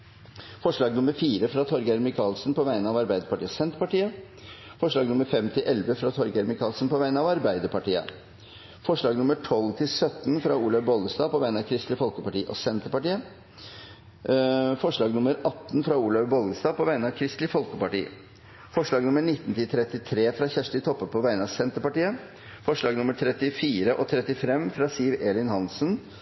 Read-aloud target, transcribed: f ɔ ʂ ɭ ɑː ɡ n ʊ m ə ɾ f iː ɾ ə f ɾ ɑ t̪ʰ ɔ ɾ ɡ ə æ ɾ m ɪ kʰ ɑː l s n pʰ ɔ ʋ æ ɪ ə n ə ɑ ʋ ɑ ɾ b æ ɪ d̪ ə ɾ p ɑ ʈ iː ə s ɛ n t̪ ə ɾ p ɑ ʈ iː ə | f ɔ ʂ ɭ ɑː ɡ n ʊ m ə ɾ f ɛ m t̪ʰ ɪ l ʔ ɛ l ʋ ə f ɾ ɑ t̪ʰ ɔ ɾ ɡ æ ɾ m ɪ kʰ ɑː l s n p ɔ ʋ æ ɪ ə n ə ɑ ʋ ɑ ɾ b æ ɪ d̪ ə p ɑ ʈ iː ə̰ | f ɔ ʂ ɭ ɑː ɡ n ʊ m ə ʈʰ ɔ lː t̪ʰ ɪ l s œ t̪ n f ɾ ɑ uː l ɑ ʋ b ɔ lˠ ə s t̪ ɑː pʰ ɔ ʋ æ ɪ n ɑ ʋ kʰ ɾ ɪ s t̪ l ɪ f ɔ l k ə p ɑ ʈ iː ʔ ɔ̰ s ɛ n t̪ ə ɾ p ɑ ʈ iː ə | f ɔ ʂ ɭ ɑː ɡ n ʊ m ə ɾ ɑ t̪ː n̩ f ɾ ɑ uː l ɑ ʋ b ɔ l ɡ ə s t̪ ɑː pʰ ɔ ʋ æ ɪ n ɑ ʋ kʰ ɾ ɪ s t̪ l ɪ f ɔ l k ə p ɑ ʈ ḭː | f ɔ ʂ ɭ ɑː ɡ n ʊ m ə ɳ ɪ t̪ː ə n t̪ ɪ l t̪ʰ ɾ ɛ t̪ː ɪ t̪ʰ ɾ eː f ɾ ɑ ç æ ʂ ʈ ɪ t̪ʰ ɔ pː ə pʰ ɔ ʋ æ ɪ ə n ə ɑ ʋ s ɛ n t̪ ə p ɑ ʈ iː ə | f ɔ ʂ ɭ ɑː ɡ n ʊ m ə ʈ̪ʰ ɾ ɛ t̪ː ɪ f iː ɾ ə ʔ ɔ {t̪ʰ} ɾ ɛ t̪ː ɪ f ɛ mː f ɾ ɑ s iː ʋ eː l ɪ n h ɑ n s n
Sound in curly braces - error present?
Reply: no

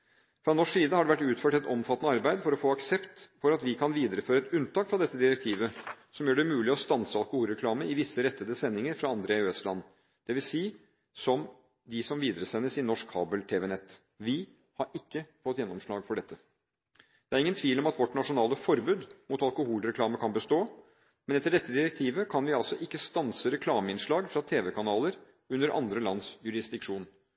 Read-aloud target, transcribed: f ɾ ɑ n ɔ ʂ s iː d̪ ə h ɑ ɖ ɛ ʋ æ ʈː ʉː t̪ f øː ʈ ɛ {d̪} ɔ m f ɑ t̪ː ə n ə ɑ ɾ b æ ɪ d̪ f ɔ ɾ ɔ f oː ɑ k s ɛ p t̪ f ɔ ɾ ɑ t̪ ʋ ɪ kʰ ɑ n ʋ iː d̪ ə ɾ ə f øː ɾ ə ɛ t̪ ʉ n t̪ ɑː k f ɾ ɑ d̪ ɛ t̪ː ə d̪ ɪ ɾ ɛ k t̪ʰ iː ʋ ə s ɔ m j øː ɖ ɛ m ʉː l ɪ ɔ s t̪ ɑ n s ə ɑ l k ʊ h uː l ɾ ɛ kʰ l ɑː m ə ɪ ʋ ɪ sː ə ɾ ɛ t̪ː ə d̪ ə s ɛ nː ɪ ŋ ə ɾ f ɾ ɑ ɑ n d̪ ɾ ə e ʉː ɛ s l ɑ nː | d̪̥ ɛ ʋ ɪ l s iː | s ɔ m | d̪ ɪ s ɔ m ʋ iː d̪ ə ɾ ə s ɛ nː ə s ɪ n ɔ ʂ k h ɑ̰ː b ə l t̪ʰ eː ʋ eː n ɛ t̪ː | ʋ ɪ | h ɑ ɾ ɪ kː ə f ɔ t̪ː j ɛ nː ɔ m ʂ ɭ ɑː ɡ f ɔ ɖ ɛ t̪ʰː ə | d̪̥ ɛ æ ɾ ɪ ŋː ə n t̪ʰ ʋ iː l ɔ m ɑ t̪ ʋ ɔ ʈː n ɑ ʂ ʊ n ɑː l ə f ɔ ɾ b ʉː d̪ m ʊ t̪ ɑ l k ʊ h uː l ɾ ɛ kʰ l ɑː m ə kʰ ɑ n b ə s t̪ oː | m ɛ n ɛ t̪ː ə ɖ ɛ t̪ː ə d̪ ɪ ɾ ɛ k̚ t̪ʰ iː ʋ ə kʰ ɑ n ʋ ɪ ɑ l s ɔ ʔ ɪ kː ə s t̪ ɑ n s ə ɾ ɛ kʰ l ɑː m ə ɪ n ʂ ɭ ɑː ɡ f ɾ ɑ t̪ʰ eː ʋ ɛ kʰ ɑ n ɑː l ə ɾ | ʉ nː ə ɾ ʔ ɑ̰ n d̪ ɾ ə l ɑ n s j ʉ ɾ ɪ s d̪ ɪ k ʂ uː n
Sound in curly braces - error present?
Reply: yes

